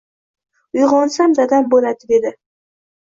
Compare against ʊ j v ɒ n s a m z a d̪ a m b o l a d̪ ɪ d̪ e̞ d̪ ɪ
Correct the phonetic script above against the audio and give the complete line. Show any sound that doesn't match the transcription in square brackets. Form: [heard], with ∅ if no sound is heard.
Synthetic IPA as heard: ʊ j [ʁ] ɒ n s a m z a d̪ a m b o l a d̪ ɪ d̪ e̞ d̪ ɪ